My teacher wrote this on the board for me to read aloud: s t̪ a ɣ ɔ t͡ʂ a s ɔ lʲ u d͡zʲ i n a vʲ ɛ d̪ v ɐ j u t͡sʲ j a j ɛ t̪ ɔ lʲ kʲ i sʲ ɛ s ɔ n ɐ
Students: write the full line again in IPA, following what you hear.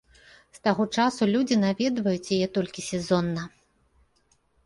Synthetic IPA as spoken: s t̪ a ɣ ɔ t͡ʂ a s u lʲ u d͡zʲ i n a vʲ ɛ d̪ v ɐ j u t͡sʲ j a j ɛ t̪ ɔ lʲ kʲ i sʲ ɛ z ɔ nː ɐ